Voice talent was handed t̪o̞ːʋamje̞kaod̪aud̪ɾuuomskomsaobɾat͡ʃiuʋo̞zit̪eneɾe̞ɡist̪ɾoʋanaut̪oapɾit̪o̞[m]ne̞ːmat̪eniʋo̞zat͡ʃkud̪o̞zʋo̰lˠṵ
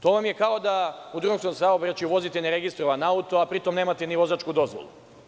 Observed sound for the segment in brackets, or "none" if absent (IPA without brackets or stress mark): m